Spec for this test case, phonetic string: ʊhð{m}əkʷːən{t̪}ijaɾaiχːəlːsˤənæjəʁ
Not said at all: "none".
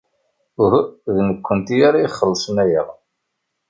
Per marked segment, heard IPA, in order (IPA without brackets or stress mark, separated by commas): n, t̪